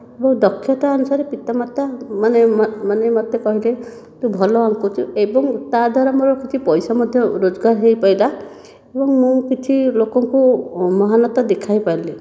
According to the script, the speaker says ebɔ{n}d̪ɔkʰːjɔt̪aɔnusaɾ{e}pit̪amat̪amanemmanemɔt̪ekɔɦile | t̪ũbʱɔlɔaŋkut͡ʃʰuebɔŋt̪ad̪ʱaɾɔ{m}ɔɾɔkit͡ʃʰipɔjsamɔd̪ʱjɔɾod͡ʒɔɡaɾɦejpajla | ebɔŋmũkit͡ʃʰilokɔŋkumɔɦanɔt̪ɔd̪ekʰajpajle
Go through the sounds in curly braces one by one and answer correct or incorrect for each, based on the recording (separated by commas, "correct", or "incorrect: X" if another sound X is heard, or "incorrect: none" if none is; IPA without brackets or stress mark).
incorrect: ŋ, correct, correct